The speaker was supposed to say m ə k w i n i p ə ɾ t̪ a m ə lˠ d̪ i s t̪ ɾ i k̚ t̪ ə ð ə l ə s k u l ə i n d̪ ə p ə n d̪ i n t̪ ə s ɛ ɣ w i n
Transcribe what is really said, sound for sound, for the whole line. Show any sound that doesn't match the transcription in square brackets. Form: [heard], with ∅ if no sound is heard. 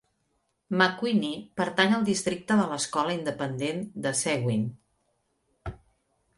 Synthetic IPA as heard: m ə k w i n i p ə ɾ t̪ a [ɲ] ə lˠ d̪ i s t̪ ɾ i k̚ t̪ ə ð ə l ə s k [ɔ] l ə i n d̪ ə p ə n d̪ [e] n [d̪] ə s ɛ ɣ w i n

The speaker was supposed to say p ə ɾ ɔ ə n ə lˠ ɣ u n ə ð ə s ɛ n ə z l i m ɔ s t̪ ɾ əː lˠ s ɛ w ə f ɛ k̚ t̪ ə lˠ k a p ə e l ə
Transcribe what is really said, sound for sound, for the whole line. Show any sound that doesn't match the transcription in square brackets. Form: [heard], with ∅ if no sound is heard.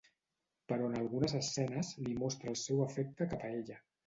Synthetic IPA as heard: p ə ɾ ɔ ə n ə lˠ ɣ u n ə [z] ə s ɛ n ə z l i m ɔ s t̪ ɾ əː lˠ s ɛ w ə f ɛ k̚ t̪ ə [∅] k a p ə e [ʎ] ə

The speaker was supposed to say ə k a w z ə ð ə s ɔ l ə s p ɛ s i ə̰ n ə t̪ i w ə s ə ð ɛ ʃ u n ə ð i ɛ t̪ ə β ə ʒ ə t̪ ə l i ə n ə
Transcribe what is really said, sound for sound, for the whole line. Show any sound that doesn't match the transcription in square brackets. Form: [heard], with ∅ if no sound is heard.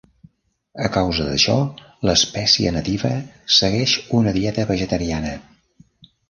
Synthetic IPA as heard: ə k a w z ə ð ə [ʃ] ɔ l ə s p ɛ s i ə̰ n ə t̪ i [β] ə s ə [ɣ] ɛ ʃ u n ə ð i ɛ t̪ ə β ə ʒ ə t̪ ə [ɾ] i [a] n ə

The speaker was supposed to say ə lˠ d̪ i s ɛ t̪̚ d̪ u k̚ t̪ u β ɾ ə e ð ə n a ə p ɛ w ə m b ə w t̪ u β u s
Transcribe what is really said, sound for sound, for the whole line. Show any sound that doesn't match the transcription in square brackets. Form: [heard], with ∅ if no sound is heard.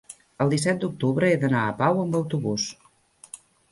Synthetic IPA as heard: ə lˠ d̪ i s ɛ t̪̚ d̪ u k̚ t̪ u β ɾ ə e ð ə n a ə p [a] w ə m b ə w t̪ u β u s

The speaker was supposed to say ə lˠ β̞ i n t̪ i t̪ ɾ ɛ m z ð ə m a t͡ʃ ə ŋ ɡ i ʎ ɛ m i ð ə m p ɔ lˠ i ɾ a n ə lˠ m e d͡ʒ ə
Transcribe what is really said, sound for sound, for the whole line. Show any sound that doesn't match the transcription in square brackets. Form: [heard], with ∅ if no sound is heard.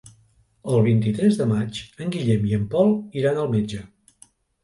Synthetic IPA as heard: ə lˠ β̞ i n t̪ i t̪ ɾ ɛ [∅] z ð ə m a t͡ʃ ə ŋ ɡ i ʎ ɛ m i [∅] ə m p ɔ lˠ i ɾ a n ə lˠ m e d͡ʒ ə

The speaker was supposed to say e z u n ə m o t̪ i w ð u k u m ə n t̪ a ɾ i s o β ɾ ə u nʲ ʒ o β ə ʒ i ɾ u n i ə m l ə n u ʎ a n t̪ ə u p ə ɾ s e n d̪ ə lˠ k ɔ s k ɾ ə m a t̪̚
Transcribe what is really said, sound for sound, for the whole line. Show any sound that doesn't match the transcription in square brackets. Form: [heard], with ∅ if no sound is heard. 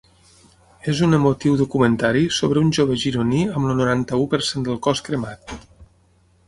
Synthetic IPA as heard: e z u n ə m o t̪ i w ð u k u m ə n t̪ a ɾ i s o β ɾ ə u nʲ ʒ o β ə ʒ i ɾ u n i ə m l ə n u [ɾ] a n t̪ ə u p ə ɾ s e n d̪ ə lˠ k ɔ s k ɾ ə m a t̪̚

